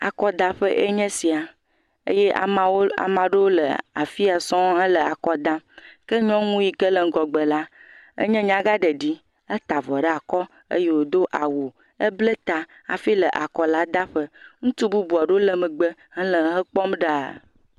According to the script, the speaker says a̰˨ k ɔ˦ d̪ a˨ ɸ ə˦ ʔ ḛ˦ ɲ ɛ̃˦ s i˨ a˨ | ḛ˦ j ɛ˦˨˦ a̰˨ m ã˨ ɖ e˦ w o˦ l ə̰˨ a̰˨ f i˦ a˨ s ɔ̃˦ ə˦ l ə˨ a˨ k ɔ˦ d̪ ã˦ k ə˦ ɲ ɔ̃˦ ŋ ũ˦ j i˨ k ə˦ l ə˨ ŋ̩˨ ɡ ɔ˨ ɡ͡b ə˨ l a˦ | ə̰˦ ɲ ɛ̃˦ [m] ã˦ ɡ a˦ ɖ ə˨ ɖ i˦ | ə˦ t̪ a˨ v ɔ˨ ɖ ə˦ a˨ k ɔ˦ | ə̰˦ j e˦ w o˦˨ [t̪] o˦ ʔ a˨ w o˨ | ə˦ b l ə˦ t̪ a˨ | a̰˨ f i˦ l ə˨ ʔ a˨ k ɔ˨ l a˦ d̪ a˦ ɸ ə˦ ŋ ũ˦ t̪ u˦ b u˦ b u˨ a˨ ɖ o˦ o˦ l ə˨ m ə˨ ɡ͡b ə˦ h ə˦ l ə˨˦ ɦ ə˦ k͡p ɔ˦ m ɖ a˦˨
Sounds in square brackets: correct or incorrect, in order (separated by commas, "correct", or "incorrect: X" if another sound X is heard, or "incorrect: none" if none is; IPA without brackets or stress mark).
incorrect: ɲ, incorrect: d̪